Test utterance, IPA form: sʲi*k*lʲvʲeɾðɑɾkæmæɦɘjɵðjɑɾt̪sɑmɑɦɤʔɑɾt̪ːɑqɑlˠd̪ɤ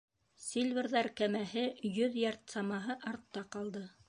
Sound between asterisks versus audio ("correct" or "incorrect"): incorrect